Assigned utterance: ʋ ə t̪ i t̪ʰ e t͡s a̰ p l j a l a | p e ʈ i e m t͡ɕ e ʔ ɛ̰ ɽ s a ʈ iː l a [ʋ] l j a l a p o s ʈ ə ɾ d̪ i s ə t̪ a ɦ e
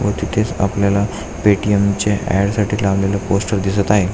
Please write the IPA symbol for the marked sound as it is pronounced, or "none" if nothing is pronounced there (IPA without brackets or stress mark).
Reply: ʋ